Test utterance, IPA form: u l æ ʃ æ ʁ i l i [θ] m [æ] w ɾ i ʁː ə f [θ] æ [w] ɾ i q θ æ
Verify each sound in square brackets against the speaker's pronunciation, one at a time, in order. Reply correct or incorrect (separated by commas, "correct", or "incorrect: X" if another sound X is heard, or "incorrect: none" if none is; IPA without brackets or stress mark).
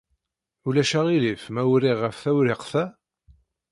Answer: incorrect: f, correct, correct, correct